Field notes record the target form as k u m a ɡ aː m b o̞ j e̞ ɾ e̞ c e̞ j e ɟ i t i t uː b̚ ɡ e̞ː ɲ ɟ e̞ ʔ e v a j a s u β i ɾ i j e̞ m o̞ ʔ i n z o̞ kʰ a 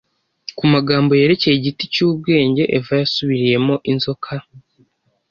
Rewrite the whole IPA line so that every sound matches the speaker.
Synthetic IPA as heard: k u m a ɡ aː m b o̞ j e̞ ɾ e̞ c e̞ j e ɟ i t i c uː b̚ ɡ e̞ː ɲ ɟ e̞ ʔ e v a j a s u β i ɾ i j e̞ m o̞ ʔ i n z o̞ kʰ a

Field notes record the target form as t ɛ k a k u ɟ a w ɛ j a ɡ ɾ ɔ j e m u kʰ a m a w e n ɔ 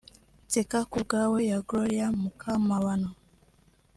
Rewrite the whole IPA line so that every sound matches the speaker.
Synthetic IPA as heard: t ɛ k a k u ɡ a w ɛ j a ɡ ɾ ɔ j a m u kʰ a m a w a n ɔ

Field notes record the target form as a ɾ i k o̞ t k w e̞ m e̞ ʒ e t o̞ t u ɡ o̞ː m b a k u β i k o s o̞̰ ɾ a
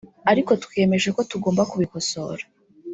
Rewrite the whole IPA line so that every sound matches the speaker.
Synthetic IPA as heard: a ɾ i k o̞ t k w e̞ m e̞ ʒ e k o̞ t u ɡ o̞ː m b a k u β i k o s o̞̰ ɾ a

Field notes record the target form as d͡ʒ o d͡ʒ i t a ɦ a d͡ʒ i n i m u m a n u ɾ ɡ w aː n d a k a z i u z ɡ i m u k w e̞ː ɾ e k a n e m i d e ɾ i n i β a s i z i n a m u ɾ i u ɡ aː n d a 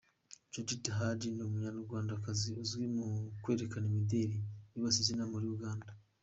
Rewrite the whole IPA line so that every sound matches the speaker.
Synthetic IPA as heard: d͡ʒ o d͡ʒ i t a ɦ a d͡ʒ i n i m u ɲ a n u ɾ ɡ w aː n d a k a z i u z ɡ i m u k w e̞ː ɾ e k a n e m i d e ɾ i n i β a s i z i n a m u ɾ i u ɡ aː n d a

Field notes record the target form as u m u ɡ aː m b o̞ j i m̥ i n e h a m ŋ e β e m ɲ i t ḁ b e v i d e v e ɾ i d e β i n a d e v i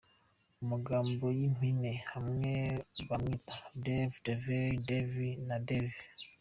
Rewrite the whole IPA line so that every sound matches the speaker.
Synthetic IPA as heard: u m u ɡ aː m b o̞ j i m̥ i n e h a m ŋ e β a m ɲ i t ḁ d e v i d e v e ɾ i d e v i n a d e v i

